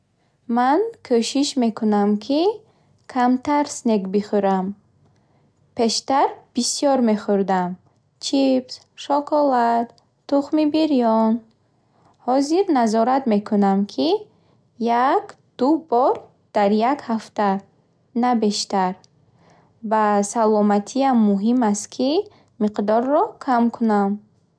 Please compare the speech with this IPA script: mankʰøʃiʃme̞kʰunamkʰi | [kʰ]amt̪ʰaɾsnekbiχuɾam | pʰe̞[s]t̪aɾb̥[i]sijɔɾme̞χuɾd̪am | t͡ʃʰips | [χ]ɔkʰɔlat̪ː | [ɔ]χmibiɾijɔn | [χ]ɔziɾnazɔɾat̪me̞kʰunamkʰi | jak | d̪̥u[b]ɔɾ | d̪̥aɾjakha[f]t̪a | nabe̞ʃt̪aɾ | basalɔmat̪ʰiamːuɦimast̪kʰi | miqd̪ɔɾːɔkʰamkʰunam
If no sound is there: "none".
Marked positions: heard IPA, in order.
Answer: kʰ, ʃ, i, ʃ, u, h, b, f

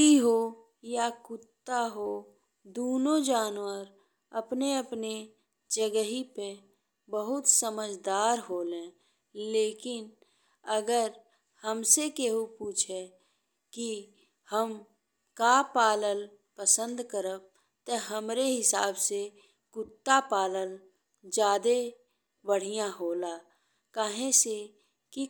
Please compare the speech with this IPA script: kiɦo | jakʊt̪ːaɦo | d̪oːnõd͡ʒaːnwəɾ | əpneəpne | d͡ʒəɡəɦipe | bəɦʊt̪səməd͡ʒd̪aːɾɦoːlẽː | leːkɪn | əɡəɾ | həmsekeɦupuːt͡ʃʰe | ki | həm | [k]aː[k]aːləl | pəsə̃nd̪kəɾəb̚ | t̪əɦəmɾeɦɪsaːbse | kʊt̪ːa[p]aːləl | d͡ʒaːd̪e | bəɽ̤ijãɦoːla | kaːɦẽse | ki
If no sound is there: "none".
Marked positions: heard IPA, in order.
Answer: k, p, p

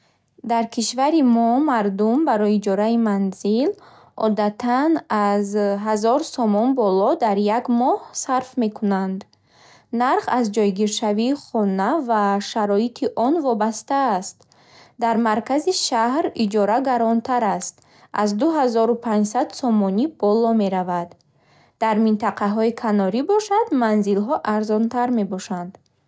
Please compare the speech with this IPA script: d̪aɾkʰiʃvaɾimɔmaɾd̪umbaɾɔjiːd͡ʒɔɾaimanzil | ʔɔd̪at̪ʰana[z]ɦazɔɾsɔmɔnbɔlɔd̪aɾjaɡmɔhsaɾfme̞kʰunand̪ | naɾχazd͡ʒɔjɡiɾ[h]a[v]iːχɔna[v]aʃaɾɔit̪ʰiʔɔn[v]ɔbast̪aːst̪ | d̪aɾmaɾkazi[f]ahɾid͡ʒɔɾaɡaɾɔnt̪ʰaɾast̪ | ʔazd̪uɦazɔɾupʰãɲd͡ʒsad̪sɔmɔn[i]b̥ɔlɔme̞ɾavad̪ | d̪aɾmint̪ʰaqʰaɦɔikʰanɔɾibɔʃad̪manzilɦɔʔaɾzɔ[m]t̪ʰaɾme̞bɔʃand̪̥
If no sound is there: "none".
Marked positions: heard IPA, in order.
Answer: z, ʃ, v, v, v, ʃ, i, n

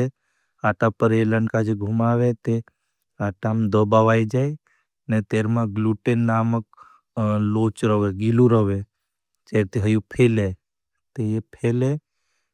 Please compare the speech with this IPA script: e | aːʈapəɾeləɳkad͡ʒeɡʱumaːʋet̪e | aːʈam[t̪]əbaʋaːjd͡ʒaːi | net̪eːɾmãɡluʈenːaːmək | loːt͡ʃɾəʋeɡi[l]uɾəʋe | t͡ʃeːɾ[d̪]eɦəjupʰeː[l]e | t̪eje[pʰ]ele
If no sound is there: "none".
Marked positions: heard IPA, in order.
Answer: d̪, l, t̪, l, pʰ

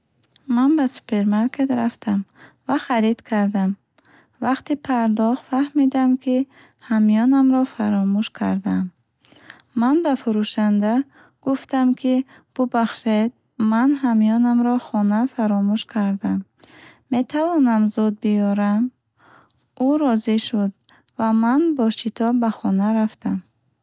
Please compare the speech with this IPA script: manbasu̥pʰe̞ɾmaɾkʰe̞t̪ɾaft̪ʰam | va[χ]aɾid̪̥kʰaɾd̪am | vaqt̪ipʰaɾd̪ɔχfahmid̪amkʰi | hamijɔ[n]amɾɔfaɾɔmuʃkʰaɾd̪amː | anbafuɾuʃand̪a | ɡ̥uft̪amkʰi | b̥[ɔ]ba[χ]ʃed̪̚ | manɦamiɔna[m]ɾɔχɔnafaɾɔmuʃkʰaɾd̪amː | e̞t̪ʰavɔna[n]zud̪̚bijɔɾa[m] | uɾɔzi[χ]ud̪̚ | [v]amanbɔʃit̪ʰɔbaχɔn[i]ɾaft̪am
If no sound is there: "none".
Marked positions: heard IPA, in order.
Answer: χ, n, u, χ, m, m, m, ʃ, v, a

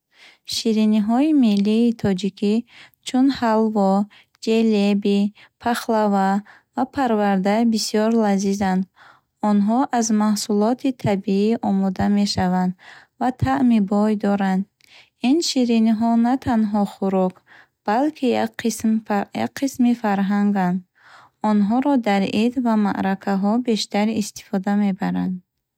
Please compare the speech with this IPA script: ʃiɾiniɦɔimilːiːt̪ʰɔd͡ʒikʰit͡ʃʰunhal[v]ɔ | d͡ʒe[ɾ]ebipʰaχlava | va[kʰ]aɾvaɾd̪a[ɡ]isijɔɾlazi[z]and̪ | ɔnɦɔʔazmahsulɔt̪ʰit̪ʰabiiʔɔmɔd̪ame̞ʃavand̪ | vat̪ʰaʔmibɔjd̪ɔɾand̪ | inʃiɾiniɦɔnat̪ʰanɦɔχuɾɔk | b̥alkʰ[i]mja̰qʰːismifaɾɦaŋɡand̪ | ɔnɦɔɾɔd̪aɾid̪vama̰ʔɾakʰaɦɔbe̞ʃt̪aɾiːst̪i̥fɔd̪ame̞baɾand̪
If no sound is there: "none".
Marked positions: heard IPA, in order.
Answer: v, l, pʰ, b, z, i

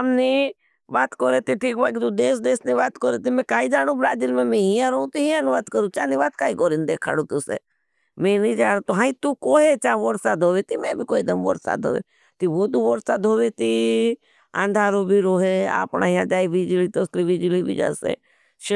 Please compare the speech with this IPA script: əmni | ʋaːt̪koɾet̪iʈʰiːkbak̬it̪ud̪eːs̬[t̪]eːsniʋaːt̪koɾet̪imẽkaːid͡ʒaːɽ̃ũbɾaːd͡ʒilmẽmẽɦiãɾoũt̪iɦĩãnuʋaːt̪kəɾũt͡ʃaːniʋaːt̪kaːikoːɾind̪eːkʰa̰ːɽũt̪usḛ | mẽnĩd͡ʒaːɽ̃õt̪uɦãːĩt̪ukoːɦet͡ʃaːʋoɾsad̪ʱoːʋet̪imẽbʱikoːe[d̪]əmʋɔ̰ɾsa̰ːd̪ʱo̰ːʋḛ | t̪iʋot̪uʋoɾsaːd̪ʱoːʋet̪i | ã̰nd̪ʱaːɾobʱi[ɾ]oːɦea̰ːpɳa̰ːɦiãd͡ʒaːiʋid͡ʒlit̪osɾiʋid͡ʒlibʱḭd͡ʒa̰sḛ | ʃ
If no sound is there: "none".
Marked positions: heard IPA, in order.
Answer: d̪, d̪, ɾ

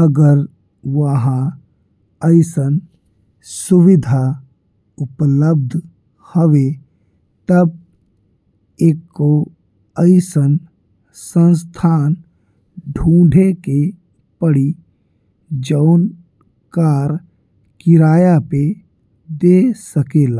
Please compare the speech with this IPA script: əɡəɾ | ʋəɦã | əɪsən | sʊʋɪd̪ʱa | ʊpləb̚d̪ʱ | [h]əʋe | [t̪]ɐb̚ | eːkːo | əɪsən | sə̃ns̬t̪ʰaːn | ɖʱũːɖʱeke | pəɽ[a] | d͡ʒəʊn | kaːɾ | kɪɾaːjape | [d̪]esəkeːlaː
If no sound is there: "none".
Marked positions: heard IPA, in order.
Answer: h, t̪, i, d̪

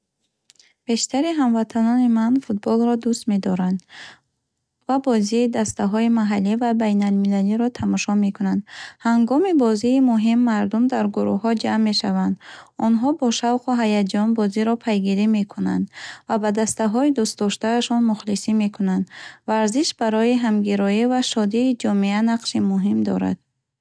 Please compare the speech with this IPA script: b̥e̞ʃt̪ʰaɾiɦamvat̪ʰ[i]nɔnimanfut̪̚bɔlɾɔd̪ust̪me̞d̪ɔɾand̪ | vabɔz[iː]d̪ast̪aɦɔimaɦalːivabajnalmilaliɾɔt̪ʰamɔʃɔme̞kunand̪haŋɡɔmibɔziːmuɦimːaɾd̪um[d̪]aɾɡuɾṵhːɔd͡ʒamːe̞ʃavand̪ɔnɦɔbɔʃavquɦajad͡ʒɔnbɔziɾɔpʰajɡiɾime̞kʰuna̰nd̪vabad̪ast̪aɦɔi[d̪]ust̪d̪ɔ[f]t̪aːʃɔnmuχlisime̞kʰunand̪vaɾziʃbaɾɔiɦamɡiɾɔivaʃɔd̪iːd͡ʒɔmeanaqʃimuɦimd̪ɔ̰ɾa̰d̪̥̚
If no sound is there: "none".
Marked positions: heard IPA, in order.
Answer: a, iː, d̪, d̪, ʃ

